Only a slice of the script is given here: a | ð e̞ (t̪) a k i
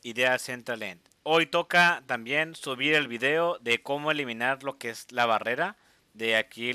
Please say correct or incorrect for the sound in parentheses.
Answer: incorrect